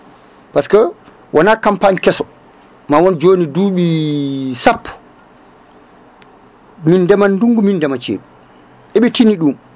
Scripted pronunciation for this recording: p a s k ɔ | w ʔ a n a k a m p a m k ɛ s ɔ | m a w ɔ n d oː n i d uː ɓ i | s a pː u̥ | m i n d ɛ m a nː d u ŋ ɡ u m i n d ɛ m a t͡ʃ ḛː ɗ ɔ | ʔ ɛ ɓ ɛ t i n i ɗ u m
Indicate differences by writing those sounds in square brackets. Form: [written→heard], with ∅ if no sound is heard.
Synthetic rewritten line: p a s k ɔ | w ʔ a n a k a m p a [m→ɲ] k ɛ s ɔ | m a w ɔ n [d→d͡ʒ] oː n i d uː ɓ i | s a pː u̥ | m i n d ɛ m a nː d u ŋ ɡ u m i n d ɛ m a t͡ʃ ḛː ɗ [ɔ→u] | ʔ ɛ ɓ ɛ t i n i ɗ u m